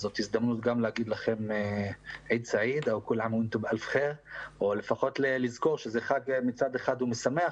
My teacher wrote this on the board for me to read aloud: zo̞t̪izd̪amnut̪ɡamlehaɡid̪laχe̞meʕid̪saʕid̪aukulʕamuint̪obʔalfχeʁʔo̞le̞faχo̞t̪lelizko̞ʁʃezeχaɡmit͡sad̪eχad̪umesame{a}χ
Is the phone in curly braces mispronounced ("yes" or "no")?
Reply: no